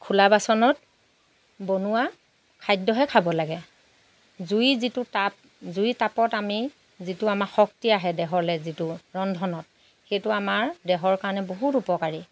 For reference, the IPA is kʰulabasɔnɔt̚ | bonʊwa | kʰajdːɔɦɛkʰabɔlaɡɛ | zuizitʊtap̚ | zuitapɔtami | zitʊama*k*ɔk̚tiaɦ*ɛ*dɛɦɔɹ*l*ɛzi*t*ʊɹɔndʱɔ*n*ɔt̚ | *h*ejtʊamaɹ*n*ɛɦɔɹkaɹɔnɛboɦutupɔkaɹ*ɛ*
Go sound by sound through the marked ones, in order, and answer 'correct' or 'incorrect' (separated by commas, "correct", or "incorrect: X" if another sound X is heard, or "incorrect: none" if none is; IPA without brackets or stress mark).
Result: incorrect: x, correct, correct, correct, correct, incorrect: x, incorrect: d, incorrect: i